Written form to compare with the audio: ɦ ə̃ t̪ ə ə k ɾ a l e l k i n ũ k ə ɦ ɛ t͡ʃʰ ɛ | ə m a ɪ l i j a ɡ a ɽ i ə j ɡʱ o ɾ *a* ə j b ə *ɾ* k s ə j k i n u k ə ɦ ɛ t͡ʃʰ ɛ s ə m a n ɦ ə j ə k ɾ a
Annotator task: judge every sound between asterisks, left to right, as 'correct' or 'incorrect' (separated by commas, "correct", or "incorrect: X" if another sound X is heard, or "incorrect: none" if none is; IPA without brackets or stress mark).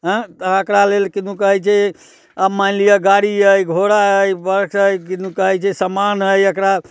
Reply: correct, correct